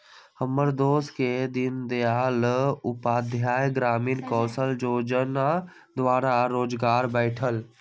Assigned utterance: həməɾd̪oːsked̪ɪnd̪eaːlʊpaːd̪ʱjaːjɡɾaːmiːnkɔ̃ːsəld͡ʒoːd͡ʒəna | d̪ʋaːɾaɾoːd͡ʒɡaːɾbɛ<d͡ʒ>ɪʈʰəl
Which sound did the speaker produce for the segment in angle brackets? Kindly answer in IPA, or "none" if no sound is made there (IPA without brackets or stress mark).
none